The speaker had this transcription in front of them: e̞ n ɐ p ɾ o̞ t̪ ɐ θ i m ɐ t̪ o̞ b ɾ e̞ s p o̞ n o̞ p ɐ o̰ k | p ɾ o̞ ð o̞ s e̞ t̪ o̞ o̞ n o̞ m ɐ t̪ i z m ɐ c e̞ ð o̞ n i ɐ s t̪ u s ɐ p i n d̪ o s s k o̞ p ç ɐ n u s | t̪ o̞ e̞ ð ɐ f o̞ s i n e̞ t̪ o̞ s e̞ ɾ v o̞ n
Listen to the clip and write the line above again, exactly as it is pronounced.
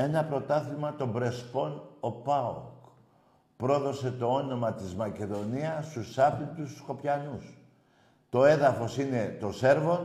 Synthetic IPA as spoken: e̞ n ɐ p ɾ o̞ t̪ ɐ θ i m ɐ t̪ o̞ b ɾ e̞ s p o̞ n o̞ p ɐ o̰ k | p ɾ o̞ ð o̞ s e̞ t̪ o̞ o̞ n o̞ m ɐ t̪ i z m ɐ c e̞ ð o̞ n i ɐ s t̪ u s ɐ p i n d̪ u s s k o̞ p ç ɐ n u s | t̪ o̞ e̞ ð ɐ f o̞ s i n e̞ t̪ o̞ s e̞ ɾ v o̞ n